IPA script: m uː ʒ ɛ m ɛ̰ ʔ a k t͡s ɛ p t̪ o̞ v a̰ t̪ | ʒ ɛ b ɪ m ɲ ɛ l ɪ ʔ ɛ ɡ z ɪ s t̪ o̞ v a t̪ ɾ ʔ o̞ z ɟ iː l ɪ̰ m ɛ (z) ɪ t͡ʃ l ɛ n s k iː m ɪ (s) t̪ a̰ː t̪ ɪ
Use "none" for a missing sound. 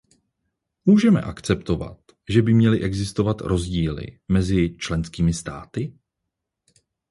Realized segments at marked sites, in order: z, s

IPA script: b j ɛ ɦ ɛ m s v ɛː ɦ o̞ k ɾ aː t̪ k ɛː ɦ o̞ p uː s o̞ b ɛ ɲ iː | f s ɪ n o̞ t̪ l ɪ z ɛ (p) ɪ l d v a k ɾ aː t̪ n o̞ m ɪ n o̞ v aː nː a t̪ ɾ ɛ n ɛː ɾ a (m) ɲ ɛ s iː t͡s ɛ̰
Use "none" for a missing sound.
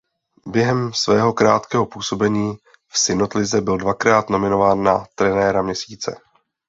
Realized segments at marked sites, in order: b, m

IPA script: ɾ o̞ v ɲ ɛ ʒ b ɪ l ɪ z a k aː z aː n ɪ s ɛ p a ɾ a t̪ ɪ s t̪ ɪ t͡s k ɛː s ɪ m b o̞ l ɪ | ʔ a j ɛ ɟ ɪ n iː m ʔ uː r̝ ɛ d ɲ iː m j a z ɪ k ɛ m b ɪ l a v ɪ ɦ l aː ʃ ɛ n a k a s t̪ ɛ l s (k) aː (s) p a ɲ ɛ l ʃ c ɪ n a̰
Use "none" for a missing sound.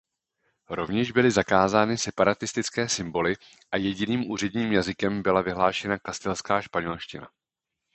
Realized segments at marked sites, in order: k, ʃ

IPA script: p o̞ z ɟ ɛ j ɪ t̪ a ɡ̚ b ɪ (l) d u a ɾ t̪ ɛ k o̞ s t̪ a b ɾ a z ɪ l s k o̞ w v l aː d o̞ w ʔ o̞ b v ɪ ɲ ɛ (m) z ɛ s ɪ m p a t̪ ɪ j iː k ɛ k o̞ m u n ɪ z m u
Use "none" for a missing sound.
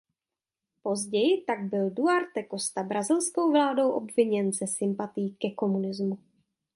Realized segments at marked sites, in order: l, n

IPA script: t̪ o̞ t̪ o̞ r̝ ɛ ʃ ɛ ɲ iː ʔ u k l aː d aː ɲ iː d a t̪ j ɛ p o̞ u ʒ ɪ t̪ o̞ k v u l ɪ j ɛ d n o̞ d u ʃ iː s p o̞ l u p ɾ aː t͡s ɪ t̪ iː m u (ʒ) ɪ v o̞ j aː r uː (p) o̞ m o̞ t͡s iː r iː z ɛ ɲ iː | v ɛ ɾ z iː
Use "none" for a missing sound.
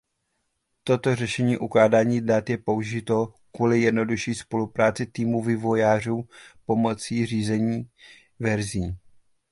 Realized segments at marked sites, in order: v, p

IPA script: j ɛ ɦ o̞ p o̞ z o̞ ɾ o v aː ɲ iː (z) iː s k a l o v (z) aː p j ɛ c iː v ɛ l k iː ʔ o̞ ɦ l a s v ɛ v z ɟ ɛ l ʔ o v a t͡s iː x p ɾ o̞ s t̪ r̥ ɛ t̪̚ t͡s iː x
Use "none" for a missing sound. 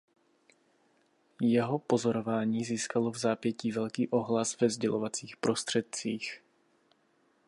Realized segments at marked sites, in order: z, z

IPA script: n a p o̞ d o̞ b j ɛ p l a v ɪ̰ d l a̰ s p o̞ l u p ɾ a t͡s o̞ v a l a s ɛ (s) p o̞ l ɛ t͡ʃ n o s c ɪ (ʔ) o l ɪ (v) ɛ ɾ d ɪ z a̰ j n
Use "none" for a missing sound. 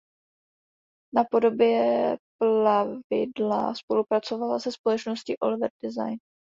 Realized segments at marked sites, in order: s, ʔ, v

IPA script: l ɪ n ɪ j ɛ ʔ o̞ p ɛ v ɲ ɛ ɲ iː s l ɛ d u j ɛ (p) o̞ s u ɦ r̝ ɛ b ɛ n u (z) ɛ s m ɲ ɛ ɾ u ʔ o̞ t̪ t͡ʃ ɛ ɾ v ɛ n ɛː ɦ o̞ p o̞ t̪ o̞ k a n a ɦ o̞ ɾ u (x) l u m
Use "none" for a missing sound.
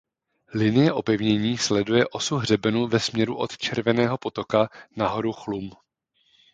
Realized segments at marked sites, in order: ʔ, v, x

